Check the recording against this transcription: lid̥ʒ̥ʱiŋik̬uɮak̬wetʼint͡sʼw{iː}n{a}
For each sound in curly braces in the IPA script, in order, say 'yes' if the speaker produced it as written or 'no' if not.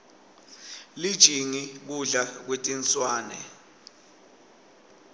no, no

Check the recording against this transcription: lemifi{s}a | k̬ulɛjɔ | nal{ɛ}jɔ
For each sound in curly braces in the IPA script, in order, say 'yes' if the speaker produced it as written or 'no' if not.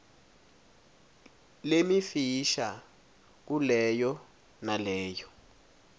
no, no

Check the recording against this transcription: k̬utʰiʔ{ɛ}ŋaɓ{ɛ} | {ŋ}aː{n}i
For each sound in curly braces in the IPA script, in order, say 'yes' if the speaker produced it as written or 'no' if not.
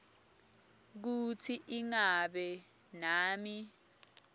no, yes, no, no

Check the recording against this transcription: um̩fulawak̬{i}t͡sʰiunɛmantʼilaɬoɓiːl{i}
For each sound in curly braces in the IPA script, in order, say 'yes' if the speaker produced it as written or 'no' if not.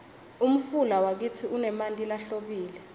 yes, no

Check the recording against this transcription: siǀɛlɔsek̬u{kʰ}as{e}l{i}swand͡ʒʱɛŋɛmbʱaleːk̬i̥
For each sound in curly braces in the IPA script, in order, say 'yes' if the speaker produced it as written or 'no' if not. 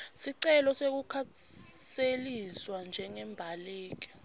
yes, yes, yes

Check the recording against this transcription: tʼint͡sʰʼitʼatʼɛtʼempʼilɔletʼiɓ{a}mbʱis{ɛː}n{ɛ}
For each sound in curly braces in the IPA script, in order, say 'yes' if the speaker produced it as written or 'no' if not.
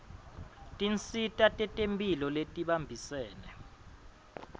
yes, yes, yes

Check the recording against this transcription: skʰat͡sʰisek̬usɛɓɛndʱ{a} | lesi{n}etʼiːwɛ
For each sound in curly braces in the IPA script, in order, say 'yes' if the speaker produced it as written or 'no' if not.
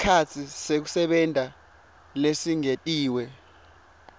yes, no

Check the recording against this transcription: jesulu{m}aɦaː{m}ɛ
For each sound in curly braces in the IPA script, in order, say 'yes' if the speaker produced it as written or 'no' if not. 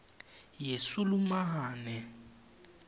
yes, no

